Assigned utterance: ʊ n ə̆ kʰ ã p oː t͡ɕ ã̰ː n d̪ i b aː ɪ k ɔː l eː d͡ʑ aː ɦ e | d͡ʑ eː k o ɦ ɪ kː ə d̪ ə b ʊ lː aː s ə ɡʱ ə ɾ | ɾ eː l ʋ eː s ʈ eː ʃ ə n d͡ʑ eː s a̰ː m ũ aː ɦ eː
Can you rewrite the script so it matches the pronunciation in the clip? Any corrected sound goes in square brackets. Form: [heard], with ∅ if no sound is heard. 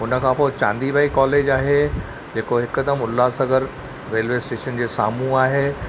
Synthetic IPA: ʊ n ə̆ kʰ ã p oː t͡ɕ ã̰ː n d̪ i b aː [i] k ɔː l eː d͡ʑ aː ɦ e | d͡ʑ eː k o ɦ ɪ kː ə d̪ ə [m] ʊ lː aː s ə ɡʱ ə ɾ | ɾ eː l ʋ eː s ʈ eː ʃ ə n d͡ʑ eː s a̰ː m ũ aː ɦ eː